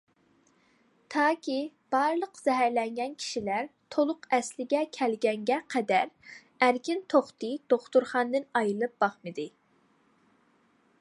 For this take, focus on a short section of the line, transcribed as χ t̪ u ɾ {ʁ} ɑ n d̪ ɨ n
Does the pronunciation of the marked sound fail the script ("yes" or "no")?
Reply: yes